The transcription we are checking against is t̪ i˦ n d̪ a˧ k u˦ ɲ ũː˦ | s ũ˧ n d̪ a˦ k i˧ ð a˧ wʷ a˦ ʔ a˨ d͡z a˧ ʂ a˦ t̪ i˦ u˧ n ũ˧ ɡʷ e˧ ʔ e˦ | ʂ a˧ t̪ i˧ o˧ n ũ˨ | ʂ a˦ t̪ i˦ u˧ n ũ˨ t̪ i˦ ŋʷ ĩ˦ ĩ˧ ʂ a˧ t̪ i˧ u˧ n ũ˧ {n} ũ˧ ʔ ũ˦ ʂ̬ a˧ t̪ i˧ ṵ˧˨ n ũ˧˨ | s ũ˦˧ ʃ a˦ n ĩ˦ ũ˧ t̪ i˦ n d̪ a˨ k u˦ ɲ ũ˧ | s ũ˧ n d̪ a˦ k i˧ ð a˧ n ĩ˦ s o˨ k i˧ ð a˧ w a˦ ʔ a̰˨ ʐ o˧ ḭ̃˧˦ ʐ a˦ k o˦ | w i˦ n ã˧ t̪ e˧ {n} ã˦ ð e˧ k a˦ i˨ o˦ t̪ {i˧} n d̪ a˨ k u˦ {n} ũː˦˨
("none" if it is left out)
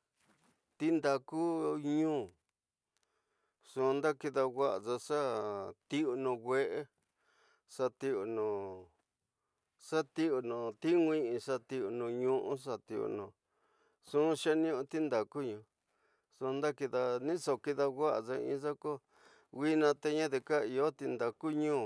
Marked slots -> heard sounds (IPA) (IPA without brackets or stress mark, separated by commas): ɲ, ɲ, i˧, ɲ